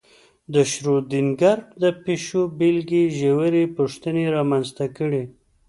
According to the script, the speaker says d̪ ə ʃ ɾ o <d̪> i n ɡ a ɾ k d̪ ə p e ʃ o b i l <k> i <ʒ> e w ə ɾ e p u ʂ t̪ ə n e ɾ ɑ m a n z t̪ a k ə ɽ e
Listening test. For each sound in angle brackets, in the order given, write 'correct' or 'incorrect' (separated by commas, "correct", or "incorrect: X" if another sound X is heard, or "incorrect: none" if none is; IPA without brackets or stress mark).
correct, incorrect: ɡ, correct